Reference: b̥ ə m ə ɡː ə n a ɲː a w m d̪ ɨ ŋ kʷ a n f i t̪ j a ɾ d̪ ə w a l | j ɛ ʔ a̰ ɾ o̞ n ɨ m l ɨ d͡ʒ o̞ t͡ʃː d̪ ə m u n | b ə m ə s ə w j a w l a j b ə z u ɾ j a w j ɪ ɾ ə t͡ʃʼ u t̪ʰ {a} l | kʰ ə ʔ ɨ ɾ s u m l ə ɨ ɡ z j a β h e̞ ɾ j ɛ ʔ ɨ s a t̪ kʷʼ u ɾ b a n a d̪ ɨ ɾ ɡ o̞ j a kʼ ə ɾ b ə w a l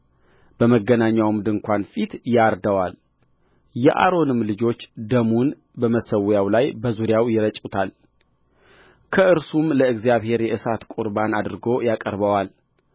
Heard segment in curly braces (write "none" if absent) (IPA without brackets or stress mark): a